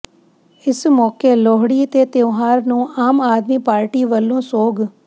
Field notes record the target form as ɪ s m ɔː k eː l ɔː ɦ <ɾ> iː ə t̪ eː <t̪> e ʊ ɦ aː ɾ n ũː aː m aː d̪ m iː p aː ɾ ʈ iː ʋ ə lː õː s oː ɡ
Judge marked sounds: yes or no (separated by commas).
no, yes